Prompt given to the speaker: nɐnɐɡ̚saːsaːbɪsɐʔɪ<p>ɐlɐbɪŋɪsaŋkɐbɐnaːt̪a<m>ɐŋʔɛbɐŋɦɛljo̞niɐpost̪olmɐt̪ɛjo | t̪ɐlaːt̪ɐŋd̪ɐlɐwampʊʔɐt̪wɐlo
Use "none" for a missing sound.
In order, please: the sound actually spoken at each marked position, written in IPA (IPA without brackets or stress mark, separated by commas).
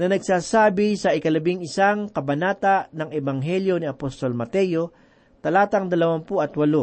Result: k, n